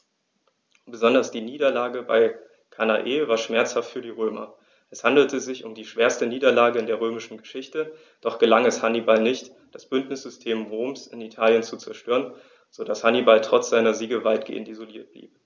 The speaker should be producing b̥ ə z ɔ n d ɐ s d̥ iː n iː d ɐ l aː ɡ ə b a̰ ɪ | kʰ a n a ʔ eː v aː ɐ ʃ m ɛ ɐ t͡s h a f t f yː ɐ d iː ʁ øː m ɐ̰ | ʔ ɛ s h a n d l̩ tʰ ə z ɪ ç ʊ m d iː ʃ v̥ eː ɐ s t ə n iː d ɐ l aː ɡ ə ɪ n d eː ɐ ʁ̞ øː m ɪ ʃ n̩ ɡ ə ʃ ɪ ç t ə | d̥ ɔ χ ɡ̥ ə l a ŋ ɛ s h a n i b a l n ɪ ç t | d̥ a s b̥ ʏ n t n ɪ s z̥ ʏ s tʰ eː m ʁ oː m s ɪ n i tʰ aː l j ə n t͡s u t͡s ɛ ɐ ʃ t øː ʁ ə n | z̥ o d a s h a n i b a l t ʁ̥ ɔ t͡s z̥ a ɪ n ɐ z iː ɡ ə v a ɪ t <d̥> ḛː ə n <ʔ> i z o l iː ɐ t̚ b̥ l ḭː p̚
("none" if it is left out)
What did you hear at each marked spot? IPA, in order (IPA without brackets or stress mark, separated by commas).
ɡ̥, t